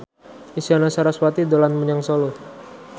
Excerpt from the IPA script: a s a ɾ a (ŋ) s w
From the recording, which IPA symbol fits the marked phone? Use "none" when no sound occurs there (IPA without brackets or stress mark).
none